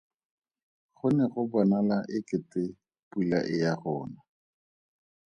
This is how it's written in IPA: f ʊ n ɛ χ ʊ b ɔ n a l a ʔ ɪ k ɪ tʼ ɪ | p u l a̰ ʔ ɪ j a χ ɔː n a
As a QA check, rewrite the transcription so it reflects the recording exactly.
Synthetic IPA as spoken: χ ʊ n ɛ χ ʊ b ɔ n a l a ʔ ɪ k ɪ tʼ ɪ | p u l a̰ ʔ ɪ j a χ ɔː n a